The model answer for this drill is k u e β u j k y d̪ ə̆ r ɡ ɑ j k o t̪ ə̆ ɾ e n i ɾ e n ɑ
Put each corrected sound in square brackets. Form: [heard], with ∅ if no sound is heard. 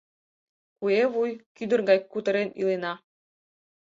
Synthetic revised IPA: k u e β u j k y d̪ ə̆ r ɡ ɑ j k [u] t̪ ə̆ ɾ e n i [l] e n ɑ